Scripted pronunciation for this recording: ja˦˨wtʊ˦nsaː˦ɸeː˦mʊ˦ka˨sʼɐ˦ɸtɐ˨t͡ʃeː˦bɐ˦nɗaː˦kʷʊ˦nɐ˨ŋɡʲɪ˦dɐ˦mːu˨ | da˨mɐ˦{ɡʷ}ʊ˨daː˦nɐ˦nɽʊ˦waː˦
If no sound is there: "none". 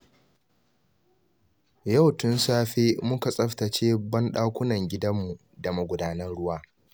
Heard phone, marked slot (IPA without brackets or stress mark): ɡʷ